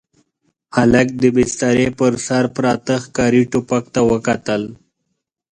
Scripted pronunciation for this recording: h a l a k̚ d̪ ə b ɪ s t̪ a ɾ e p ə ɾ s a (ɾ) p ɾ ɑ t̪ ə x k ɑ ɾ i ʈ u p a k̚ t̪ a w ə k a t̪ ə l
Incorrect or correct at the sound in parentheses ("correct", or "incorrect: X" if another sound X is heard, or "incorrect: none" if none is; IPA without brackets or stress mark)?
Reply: correct